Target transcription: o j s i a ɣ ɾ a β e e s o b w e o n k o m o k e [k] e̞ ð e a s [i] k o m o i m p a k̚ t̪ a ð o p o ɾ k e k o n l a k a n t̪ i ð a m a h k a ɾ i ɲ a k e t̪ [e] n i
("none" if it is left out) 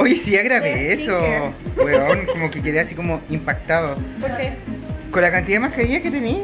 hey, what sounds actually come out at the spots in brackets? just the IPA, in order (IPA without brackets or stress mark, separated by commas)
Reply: k, i, e